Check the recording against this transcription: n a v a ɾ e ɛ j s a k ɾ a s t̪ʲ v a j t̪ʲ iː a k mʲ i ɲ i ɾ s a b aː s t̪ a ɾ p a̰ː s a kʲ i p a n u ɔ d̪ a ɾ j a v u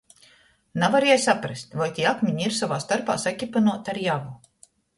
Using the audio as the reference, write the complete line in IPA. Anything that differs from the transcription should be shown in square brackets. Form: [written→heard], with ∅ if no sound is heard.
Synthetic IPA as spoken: n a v a ɾ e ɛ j s a [k→p] ɾ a s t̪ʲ v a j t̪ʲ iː a k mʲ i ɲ i ɾ s a [b→v] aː s t̪ a ɾ p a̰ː s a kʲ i p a n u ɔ [d̪→t̪] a ɾ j a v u

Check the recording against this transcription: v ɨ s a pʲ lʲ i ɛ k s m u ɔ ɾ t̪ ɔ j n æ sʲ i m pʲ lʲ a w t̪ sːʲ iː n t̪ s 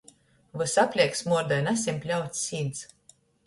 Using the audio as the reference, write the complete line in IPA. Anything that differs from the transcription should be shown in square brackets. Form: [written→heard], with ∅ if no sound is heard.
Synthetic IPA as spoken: v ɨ s a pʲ lʲ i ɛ k s m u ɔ ɾ [t̪→d̪] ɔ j n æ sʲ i m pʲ lʲ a w t̪ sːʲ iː n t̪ s

